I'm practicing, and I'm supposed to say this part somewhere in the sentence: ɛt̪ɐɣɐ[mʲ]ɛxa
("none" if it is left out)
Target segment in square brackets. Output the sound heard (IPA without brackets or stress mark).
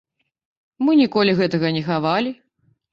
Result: nʲ